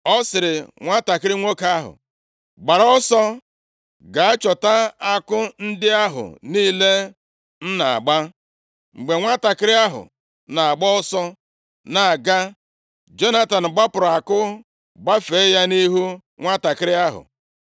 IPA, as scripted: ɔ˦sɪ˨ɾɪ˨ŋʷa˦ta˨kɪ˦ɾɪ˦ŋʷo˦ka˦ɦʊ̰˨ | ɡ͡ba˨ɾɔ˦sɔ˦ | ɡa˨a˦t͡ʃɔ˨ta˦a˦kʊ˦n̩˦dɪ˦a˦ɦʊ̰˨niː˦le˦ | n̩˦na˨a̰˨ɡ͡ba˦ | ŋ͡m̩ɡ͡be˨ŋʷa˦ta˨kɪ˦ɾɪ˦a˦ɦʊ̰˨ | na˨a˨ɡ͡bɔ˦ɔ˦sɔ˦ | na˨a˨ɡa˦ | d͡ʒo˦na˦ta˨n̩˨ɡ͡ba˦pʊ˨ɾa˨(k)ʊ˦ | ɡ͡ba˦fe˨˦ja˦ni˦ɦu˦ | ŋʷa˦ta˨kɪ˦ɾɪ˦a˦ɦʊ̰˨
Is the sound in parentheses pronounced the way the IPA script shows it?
yes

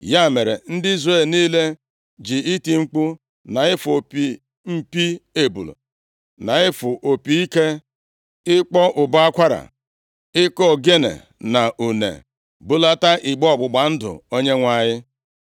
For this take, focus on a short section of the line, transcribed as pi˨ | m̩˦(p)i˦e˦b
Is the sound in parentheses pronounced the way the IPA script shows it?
yes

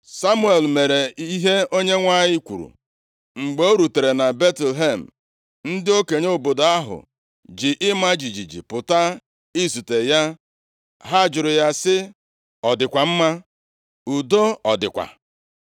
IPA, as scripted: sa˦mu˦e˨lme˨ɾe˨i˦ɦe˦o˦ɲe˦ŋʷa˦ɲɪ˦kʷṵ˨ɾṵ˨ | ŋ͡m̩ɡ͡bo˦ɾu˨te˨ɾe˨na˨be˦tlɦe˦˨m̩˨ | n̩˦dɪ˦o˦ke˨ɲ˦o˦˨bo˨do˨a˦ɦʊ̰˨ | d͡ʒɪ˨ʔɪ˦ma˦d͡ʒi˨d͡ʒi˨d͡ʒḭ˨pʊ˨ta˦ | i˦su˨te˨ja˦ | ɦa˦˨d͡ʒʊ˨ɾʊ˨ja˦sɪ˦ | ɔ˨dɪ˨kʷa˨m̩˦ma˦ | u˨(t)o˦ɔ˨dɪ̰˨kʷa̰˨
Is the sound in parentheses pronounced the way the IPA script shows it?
no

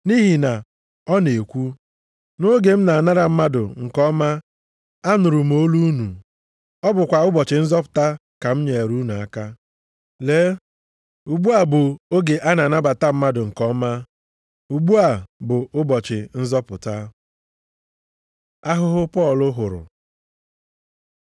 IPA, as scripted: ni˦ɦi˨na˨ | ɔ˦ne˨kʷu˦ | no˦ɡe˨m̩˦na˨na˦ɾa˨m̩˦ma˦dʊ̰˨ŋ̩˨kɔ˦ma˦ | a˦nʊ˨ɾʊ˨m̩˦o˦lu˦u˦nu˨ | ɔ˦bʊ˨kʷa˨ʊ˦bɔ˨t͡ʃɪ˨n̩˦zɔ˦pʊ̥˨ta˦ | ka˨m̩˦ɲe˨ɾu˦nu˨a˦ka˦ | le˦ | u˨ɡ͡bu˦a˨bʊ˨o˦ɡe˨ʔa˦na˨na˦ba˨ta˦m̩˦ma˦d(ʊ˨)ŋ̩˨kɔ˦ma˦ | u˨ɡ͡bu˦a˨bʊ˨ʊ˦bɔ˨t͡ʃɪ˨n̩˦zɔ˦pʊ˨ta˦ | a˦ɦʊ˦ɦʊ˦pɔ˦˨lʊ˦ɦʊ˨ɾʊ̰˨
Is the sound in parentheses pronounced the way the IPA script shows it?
yes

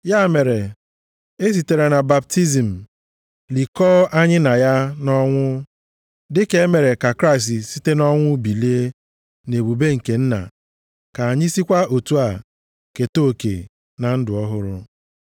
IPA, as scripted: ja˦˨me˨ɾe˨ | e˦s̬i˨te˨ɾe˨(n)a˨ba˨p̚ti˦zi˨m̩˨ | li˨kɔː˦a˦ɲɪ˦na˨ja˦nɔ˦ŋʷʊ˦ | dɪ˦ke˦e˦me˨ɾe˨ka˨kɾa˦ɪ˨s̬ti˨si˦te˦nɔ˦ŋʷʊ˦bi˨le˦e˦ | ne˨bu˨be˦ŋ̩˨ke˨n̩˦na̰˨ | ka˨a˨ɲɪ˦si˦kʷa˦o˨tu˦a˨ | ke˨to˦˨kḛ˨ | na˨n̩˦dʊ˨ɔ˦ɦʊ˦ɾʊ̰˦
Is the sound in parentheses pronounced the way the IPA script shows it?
yes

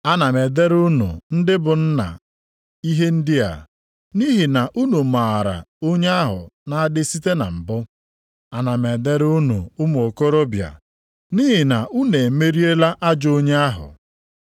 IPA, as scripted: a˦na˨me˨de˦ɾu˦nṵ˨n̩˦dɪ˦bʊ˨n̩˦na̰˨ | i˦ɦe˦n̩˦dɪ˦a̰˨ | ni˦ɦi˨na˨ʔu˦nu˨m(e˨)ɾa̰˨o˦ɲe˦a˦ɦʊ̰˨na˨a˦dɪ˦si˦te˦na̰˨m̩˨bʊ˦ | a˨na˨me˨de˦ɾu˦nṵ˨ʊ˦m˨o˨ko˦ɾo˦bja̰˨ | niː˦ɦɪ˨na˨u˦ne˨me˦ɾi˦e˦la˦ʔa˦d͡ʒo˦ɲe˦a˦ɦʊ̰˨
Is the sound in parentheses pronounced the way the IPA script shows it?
no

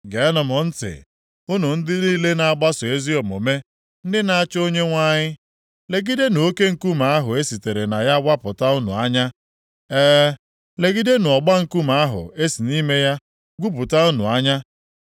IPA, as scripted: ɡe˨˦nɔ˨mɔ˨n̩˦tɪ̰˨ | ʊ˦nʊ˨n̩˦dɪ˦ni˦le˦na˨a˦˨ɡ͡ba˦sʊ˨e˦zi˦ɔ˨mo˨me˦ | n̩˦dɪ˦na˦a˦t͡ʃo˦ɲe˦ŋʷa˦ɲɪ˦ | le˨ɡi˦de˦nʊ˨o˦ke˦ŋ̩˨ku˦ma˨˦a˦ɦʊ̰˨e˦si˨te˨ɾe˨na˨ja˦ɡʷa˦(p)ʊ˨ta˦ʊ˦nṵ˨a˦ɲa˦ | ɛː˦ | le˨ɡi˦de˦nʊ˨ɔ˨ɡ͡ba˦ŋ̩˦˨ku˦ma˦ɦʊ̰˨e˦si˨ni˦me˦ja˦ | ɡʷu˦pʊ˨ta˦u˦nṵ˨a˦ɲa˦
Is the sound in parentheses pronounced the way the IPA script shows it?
yes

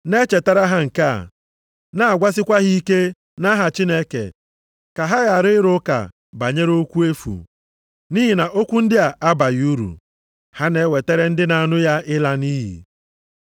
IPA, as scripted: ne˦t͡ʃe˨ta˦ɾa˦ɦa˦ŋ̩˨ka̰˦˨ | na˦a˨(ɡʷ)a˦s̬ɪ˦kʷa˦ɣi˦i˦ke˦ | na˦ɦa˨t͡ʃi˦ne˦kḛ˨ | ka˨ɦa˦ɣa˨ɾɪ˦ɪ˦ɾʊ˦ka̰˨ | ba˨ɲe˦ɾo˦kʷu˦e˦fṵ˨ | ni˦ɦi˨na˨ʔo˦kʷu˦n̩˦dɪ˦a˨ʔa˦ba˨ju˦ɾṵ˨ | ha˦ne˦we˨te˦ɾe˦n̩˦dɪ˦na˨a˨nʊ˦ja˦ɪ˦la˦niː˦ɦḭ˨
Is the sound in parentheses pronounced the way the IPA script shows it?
yes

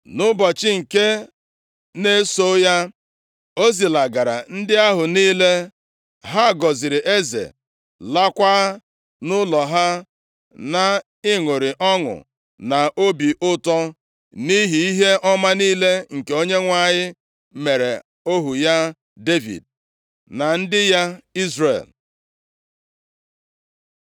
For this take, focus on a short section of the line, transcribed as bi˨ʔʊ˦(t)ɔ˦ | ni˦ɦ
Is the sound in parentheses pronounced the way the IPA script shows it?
yes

